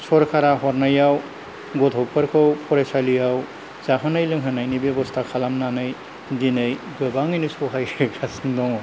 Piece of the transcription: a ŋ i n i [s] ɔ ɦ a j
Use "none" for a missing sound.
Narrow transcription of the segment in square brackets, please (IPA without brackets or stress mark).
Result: s